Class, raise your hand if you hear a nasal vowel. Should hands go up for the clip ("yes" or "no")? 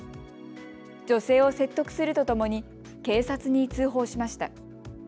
no